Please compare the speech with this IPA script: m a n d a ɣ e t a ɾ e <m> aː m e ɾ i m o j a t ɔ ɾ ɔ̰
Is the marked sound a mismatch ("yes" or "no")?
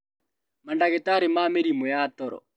no